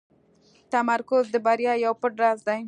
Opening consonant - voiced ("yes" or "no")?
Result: no